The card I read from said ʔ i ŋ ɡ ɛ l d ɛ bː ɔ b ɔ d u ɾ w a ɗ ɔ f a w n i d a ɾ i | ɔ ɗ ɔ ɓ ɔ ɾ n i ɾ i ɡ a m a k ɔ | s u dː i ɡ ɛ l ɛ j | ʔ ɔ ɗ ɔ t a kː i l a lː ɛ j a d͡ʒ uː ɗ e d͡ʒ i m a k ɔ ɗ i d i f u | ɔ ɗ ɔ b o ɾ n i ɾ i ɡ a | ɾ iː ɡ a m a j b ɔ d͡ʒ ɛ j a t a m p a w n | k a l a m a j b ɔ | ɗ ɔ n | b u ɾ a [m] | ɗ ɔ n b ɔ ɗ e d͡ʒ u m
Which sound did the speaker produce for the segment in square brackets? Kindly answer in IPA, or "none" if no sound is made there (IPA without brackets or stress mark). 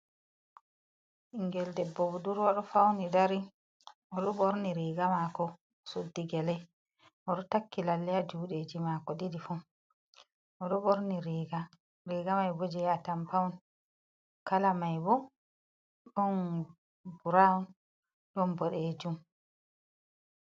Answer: n